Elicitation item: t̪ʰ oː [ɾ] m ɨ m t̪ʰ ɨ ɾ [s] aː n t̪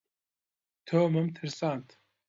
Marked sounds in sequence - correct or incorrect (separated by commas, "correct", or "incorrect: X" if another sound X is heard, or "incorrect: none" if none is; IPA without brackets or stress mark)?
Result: incorrect: none, correct